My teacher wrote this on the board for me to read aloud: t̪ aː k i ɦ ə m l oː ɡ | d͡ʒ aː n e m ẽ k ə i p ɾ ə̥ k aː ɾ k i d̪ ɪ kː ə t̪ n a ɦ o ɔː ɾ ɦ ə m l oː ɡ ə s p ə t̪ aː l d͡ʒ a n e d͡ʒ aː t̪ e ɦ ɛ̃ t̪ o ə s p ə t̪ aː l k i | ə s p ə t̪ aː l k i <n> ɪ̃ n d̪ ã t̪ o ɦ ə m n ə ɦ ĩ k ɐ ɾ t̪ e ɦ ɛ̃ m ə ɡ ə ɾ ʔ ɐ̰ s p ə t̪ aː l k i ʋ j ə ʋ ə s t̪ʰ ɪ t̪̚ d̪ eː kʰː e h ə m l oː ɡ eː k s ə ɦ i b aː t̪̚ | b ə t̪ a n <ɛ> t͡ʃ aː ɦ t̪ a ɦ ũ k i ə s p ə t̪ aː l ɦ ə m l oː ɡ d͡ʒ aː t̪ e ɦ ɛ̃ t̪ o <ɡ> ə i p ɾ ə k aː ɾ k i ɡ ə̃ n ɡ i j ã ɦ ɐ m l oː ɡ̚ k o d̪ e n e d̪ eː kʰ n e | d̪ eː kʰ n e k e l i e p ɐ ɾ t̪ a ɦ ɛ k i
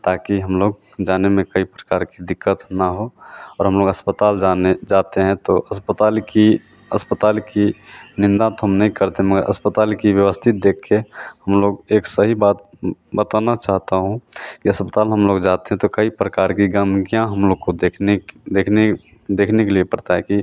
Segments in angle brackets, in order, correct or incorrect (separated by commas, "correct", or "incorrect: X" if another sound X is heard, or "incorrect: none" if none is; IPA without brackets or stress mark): correct, incorrect: a, incorrect: k